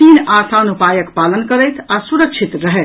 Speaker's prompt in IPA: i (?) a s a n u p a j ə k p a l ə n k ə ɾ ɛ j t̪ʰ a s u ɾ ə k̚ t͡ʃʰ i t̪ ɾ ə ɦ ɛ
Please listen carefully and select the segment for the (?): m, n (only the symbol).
n